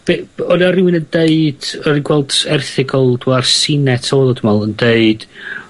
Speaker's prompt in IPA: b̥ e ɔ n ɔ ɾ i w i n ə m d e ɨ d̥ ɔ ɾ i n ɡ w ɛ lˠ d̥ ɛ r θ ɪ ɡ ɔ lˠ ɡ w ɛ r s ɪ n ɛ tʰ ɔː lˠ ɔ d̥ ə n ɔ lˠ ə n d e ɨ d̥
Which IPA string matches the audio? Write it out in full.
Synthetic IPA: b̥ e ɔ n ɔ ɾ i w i n ə n d e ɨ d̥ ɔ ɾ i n ɡ w ɛ lˠ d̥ ɛ r θ ɪ ɡ ɔ lˠ d w a r s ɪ n ɛ tʰ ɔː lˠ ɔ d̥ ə m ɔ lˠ ə n d e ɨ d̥